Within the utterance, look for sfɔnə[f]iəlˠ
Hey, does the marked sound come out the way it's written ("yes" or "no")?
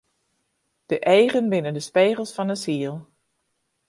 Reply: no